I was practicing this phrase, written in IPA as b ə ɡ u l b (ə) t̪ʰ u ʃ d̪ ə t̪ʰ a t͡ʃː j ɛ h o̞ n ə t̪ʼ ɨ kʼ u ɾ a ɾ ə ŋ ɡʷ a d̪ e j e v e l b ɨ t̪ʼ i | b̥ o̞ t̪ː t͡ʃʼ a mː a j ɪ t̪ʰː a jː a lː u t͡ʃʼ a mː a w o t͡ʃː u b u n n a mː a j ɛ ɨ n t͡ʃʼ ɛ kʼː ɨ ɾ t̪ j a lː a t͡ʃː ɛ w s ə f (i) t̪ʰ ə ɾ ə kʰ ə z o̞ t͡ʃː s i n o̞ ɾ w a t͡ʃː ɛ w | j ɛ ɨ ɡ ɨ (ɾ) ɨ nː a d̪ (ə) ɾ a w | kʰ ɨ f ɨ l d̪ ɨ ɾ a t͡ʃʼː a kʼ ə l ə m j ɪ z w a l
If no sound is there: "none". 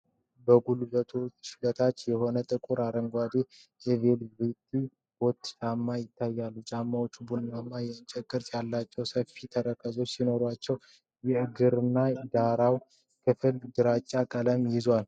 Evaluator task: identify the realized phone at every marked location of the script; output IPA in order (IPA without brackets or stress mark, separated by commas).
ə, i, ɾ, a